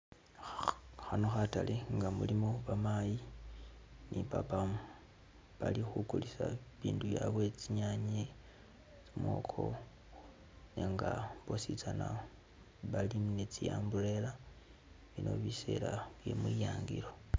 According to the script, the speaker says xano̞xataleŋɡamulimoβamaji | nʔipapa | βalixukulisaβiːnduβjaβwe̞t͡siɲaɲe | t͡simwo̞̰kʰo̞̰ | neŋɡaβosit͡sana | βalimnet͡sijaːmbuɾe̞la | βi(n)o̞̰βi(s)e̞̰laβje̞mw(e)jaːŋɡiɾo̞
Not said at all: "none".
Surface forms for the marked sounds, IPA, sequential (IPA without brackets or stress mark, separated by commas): n, s, i